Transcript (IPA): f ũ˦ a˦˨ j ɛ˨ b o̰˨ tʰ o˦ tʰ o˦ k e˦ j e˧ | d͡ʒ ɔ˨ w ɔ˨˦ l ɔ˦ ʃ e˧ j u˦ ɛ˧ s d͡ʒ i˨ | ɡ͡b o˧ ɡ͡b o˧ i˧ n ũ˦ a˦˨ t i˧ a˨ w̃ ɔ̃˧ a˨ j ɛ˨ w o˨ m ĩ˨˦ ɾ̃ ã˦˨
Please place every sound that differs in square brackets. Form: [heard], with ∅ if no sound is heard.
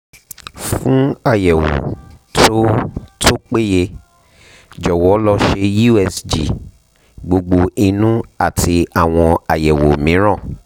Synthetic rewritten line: f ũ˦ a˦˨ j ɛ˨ [w] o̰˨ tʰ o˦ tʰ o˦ [k͡p] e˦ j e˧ | d͡ʒ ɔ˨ w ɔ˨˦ l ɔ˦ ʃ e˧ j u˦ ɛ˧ s d͡ʒ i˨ | ɡ͡b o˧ ɡ͡b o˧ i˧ n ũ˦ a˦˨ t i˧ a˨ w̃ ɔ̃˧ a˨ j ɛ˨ w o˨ m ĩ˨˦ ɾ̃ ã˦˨